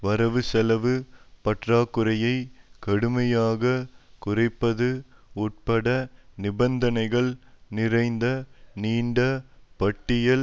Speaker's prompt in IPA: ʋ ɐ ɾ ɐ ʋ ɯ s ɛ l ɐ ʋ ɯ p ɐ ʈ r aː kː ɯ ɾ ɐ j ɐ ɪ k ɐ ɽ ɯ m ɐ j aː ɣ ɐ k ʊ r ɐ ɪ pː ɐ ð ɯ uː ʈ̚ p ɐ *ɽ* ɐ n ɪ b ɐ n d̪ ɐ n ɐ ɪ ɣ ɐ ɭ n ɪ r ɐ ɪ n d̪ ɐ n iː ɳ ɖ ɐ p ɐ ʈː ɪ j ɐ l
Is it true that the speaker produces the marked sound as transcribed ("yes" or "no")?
yes